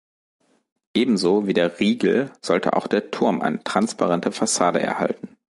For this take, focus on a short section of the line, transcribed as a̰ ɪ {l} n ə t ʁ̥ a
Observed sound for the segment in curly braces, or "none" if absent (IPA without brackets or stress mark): none